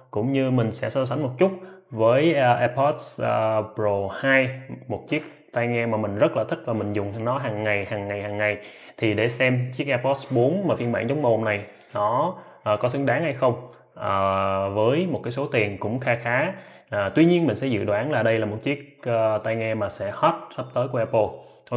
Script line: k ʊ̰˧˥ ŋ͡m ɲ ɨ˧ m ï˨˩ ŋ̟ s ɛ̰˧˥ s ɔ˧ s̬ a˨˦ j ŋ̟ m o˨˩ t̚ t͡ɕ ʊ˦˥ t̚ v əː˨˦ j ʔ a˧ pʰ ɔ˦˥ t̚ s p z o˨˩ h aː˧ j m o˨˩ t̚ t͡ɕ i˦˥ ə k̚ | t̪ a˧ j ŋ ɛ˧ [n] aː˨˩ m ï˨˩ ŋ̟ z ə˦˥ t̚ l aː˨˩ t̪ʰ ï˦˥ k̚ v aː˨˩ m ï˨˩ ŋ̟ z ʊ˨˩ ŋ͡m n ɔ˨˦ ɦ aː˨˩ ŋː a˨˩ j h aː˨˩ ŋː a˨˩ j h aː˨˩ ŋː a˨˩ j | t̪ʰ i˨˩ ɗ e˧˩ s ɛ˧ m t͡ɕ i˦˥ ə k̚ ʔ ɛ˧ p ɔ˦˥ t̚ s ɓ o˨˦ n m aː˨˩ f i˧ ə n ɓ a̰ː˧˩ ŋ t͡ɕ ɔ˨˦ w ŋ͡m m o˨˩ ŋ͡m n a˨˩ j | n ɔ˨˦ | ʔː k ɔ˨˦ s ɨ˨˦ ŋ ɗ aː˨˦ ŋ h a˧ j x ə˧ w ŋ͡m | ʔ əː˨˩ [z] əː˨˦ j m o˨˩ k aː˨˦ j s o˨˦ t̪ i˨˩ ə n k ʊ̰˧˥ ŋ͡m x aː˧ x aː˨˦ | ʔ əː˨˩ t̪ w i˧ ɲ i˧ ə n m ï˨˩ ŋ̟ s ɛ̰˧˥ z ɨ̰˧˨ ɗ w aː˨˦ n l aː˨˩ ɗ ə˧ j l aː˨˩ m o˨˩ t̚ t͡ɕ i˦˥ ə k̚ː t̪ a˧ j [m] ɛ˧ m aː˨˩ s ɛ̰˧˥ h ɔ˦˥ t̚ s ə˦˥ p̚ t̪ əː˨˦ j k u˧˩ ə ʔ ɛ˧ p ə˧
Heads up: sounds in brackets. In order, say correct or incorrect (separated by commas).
incorrect, incorrect, incorrect